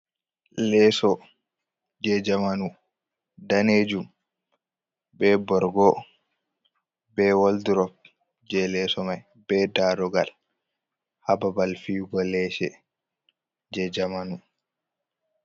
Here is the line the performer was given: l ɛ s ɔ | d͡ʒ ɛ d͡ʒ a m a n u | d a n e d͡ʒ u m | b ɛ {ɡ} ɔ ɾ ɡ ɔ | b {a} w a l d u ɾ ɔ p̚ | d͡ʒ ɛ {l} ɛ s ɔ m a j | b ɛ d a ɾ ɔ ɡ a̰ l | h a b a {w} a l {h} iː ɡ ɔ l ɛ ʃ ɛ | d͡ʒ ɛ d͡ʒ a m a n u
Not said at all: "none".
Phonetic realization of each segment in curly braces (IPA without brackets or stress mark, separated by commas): b, ɛ, l, b, f